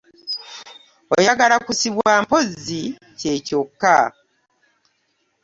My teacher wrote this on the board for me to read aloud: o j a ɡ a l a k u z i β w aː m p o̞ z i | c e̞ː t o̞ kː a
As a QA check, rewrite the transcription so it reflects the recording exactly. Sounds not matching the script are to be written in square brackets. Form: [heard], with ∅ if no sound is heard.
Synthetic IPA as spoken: o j a ɡ a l a k u [s] i β w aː m p o̞ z i | c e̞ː [c] o̞ kː a